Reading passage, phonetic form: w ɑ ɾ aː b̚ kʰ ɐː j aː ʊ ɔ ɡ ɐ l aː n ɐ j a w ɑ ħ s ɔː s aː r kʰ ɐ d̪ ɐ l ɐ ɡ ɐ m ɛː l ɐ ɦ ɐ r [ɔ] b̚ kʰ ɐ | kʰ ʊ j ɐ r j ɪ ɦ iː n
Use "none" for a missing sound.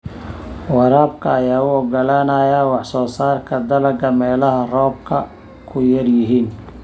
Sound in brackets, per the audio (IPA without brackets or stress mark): ɔː